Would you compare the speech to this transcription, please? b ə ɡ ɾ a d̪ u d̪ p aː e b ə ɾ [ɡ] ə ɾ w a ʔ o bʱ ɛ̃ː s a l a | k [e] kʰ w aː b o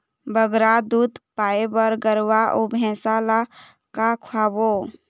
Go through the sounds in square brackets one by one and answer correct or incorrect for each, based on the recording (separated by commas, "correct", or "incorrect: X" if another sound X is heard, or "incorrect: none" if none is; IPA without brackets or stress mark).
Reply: correct, incorrect: a